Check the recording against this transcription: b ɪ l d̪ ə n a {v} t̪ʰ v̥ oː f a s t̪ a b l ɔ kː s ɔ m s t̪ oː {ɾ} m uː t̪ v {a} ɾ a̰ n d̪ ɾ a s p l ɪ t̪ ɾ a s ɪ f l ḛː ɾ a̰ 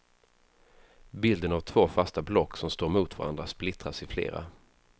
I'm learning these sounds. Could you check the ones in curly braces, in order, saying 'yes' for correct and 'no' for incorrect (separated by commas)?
yes, yes, yes